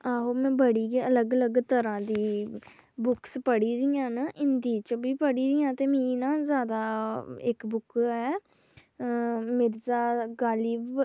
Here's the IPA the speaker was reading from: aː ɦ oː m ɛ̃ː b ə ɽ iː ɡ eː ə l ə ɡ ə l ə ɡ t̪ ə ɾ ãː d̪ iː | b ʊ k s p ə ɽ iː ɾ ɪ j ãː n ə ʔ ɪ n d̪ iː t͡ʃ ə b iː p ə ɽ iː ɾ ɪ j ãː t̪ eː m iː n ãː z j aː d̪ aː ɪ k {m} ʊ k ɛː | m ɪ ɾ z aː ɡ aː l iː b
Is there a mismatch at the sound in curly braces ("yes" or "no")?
yes